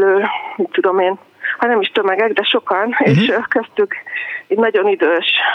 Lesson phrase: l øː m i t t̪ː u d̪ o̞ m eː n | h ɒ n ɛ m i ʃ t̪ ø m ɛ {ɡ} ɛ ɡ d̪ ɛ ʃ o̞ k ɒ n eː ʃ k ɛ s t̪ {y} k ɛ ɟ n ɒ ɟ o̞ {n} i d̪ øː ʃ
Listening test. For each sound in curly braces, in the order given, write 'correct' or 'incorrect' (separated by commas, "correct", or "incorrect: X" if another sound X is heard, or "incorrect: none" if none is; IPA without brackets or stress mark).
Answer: correct, correct, correct